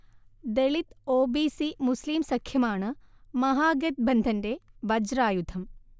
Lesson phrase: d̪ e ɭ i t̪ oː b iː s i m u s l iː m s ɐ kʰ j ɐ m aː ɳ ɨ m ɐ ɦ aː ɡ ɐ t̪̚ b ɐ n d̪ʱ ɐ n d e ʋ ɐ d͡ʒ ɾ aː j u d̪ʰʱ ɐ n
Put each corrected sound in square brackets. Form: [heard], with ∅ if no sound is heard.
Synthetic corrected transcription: d̪ e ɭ i t̪ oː b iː s i m u s l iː m s ɐ kʰ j ɐ m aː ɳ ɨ m ɐ ɦ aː ɡ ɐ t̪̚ b ɐ n d̪ʱ ɐ n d e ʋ ɐ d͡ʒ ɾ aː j u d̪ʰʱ ɐ [m]